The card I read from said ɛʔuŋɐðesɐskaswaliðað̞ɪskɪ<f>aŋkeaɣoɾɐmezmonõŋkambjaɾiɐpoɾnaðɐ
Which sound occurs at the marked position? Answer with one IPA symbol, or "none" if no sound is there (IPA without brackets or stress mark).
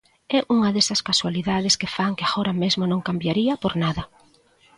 f